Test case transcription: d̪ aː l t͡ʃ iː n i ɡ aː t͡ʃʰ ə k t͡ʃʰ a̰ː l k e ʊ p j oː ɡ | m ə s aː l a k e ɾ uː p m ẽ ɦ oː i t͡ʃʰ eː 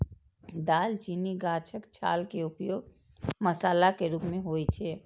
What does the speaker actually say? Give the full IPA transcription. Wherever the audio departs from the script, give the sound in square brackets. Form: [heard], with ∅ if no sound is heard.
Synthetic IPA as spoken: d̪ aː l t͡ʃ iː n i ɡ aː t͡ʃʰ ə k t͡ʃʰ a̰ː l k e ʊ p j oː ɡ | m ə s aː l a k e ɾ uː p m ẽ ɦ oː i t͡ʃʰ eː